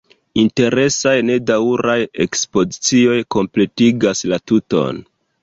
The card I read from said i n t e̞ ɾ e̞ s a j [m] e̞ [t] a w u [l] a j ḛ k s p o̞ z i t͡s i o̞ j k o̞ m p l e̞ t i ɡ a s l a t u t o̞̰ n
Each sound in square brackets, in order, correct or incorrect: incorrect: n, incorrect: d, incorrect: ɾ

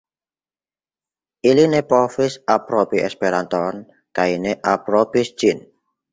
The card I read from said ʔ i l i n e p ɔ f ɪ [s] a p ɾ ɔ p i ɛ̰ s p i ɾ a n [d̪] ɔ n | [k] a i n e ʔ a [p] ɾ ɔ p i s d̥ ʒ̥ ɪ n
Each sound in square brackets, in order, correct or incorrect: correct, incorrect: t̪, correct, correct

